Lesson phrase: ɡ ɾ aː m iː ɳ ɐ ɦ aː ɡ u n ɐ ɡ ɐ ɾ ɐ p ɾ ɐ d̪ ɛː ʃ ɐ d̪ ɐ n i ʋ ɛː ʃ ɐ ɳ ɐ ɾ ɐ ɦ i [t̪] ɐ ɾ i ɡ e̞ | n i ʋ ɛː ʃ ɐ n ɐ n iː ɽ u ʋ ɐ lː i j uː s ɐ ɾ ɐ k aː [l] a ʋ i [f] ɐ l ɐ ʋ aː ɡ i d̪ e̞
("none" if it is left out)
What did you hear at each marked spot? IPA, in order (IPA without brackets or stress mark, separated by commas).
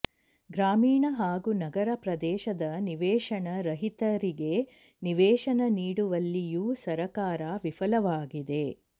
t̪, ɾ, f